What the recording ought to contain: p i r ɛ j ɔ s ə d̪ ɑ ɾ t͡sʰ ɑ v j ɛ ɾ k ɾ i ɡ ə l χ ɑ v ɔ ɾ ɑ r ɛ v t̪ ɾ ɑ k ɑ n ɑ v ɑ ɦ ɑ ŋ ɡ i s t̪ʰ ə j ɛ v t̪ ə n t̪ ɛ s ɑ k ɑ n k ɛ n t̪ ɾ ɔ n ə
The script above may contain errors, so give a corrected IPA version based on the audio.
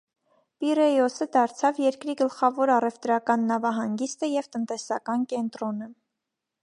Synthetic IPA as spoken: p i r ɛ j ɔ s ə d̪ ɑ ɾ t͡sʰ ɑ v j ɛ ɾ k ɾ i ɡ ə l χ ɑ v ɔ ɾ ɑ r ɛ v t̪ ɾ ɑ k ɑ nː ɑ v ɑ ɦ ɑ ŋ ɡ i s t̪ ə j ɛ v t̪ ə n t̪ ɛ s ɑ k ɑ n k ɛ n t̪ ɾ ɔ n ə